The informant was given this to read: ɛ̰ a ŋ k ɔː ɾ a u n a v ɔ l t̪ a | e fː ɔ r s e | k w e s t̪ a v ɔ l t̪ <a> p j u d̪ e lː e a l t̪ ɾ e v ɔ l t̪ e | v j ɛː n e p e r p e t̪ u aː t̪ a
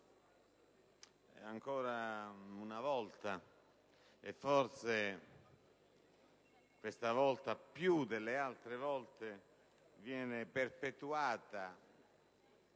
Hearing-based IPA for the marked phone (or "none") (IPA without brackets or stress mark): a